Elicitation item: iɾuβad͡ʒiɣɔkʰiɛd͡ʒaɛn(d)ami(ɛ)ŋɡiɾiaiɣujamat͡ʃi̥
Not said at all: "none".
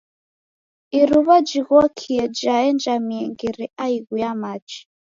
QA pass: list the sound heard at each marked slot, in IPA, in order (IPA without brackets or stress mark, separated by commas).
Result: d͡ʒ, ɛ